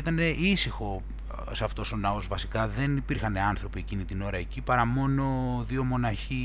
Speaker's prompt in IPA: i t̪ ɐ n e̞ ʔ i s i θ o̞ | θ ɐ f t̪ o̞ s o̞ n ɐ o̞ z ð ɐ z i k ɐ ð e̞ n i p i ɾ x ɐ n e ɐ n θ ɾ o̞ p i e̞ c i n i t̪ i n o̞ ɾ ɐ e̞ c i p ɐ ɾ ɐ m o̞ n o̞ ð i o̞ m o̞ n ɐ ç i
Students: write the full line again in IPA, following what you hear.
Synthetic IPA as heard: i t̪ ɐ n e̞ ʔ i s i x o̞ | s ɐ f t̪ o̞ s o̞ n ɐ o̞ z v ɐ s i k ɐ ð e̞ n i p i ɾ x ɐ n e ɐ n θ ɾ o̞ p i e̞ c i n i t̪ i n o̞ ɾ ɐ e̞ c i p ɐ ɾ ɐ m o̞ n o̞ ð i o̞ m o̞ n ɐ ç i